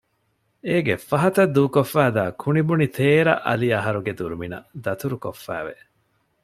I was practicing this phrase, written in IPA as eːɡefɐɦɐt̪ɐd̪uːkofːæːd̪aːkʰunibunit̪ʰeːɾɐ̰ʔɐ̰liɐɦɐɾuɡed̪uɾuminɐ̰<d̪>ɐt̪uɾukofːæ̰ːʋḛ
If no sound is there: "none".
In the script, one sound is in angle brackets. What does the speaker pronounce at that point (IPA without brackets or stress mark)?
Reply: d̪